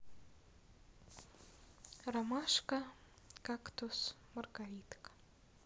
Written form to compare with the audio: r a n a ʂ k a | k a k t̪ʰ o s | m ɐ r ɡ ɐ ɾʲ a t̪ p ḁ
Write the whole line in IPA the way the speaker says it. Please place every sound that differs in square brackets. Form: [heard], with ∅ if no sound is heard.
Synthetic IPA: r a [m] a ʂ k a | k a k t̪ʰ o s | m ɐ r ɡ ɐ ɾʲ [i] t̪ [k] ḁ